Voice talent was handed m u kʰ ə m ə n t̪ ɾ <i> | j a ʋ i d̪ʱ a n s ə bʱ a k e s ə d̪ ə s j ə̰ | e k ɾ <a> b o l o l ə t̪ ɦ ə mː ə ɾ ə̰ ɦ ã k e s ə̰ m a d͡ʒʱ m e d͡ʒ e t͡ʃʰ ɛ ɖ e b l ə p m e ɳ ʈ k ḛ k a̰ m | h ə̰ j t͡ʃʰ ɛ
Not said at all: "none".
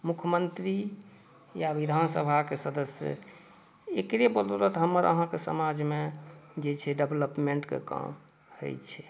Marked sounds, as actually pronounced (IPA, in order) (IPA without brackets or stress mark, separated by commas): i, e